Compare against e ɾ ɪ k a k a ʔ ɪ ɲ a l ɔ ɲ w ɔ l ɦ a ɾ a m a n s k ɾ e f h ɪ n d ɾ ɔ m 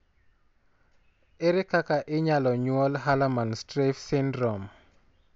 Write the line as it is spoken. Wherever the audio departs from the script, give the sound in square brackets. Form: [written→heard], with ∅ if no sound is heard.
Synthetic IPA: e ɾ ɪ k a k a ʔ ɪ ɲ a l ɔ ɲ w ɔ l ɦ a [ɾ→l] a m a n s [k→t] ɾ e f [h→s] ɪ n d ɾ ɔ m